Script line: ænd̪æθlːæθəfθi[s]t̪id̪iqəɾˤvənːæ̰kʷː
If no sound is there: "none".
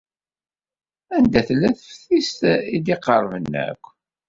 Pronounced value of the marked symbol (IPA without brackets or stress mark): s